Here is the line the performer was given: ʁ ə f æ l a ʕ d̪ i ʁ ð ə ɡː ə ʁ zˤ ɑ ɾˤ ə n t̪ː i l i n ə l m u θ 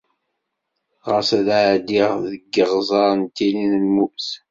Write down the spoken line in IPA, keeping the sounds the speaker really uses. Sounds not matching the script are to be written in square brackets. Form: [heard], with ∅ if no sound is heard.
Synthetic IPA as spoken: ʁ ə [s] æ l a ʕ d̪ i ʁ ð ə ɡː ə ʁ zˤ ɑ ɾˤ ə n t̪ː i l i n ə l m u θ